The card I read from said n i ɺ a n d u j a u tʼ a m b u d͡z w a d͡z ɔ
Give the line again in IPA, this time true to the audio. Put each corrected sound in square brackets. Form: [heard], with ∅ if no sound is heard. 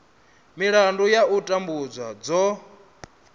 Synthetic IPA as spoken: [m] i ɺ a n d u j a u tʼ a m b u d͡z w a d͡z ɔ